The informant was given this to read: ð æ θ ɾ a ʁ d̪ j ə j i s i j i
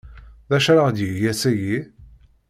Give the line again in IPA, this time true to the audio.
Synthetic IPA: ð æ ʃ ɾ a ʁ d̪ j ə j æ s æ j i

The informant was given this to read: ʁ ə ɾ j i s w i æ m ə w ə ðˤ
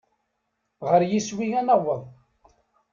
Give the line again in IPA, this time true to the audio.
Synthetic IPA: ʁ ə ɾ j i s w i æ n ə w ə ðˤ

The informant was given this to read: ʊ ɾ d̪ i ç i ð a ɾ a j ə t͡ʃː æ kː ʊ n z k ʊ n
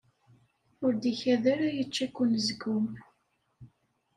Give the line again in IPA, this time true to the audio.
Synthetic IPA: ʊ ɾ d̪ i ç æ ð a ɾ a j ə t͡ʃː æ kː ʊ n z ɡ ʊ m

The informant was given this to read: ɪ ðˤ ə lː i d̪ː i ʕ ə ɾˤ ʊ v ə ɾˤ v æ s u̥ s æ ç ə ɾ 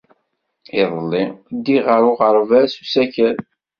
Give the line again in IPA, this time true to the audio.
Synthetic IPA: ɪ ðˤ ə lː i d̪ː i ʁ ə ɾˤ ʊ ʁ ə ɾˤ v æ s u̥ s æ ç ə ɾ

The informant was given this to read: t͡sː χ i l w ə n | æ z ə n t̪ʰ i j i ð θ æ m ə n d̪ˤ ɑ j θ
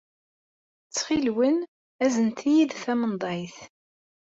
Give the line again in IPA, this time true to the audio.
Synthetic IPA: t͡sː χ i l w ə n | æ z ə n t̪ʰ i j i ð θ æ m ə n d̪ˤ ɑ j θ

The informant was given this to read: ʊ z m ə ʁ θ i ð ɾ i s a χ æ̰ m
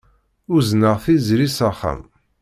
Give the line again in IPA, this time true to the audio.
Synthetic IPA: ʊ z n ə ʁ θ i z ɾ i s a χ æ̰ m

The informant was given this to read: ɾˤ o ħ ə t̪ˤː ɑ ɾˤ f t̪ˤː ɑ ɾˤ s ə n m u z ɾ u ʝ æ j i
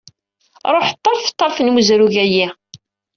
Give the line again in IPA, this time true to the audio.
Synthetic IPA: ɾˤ o ħ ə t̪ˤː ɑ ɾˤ f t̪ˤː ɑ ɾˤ f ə n m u z ɾ u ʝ æ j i

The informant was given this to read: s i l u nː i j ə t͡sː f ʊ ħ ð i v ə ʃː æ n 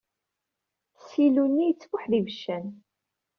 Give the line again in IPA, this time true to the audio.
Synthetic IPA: s i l u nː i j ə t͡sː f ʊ ħ ð i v ə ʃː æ n

